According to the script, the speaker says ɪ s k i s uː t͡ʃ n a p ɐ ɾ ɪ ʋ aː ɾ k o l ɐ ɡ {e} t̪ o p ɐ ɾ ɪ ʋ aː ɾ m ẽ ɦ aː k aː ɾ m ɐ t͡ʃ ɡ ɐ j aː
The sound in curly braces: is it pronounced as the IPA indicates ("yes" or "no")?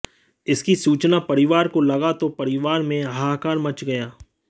no